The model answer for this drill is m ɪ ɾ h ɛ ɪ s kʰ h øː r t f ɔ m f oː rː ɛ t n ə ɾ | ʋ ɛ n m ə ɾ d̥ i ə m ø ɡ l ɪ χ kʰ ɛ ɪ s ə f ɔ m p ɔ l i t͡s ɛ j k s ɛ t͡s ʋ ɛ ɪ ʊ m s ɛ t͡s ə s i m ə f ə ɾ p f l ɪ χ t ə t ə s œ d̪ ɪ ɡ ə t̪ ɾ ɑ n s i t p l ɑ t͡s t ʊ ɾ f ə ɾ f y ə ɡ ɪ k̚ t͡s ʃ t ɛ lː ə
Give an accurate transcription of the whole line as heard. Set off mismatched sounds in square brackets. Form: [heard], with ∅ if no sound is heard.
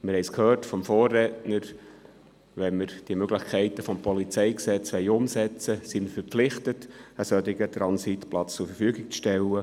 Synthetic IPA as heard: m ɪ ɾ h ɛ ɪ s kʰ h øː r t f ɔ m f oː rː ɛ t n ə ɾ | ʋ ɛ n m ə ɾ d̥ i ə m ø ɡ l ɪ χ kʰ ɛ ɪ [t] ə f ɔ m p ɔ l i t͡s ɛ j k s ɛ t͡s ʋ ɛ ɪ ʊ m s ɛ t͡s ə s i m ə f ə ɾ p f l ɪ χ t ə t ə s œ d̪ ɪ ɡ ə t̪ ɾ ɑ n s i t p l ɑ t͡s [t͡s] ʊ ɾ f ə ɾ f y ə ɡ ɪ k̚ t͡s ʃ t ɛ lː ə